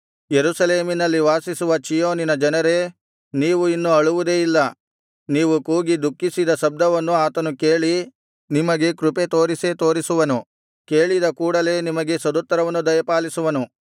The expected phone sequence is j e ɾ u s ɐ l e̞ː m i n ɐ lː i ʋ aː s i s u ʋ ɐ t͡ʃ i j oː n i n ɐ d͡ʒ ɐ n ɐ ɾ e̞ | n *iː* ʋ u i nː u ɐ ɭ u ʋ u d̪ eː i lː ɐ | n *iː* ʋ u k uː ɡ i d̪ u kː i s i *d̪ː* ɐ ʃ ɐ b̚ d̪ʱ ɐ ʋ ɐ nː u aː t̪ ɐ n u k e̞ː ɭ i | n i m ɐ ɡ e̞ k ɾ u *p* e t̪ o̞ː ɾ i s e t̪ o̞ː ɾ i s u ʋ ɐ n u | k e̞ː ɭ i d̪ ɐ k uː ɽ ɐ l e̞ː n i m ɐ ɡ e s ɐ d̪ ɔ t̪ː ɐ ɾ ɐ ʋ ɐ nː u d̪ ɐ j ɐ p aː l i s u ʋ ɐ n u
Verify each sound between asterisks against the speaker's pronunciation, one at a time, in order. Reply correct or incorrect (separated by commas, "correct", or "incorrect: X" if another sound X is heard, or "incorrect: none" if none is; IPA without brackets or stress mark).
correct, correct, incorrect: d̪, correct